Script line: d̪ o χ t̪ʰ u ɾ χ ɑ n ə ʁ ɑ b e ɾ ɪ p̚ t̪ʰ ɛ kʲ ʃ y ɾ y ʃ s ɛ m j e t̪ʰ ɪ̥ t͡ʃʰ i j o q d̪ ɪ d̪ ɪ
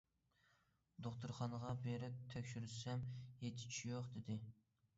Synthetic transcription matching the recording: d̪ o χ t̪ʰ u ɾ χ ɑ n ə ʁ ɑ b e ɾ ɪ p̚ t̪ʰ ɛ kʲ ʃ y ɾ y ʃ s ɛ m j e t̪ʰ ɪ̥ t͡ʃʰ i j o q d̪ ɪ d̪ ɪ